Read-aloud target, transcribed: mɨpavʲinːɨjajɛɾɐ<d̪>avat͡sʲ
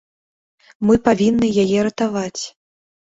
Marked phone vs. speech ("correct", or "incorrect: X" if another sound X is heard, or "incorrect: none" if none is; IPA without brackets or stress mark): incorrect: t̪